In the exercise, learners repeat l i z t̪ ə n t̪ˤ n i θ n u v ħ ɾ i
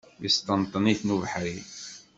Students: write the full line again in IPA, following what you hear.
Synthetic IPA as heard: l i s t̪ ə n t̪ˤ n i θ n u v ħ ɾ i